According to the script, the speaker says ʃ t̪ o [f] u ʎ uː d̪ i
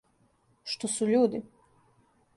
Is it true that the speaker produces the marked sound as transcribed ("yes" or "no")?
no